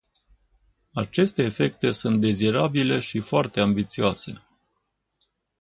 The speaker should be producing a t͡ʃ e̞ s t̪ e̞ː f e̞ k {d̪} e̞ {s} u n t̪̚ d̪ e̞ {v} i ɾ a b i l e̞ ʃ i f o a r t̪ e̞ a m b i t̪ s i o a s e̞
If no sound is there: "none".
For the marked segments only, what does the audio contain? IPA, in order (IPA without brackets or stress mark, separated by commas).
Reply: t̪, s, z